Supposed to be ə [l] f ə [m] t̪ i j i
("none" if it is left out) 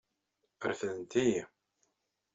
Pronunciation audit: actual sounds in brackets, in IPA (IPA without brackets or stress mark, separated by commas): ɾ, n